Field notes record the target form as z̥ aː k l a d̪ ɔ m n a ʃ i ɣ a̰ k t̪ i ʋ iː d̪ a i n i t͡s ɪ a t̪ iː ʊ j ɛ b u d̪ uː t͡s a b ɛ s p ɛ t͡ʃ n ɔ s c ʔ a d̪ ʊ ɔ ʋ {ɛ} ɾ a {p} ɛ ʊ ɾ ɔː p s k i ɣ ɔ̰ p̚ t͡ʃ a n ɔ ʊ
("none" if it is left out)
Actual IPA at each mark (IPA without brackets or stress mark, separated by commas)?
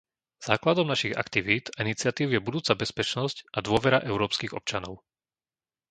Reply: ɛ, ʔ